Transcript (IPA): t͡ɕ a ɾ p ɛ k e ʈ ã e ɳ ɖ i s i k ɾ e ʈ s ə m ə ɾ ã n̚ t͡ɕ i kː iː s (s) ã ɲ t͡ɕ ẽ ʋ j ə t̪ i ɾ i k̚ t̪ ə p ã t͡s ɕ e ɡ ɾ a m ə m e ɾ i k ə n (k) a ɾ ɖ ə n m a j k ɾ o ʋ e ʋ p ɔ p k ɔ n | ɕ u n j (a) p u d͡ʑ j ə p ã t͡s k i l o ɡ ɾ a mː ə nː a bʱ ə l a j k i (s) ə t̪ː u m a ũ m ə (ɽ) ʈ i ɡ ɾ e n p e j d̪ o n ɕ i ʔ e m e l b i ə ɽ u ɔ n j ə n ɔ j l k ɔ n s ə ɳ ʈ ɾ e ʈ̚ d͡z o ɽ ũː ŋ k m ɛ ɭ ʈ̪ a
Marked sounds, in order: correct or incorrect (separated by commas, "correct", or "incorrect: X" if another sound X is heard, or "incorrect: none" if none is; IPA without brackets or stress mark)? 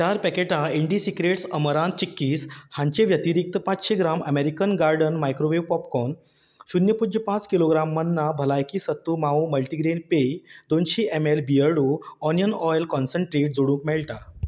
incorrect: h, incorrect: ɡ, incorrect: ə, correct, incorrect: l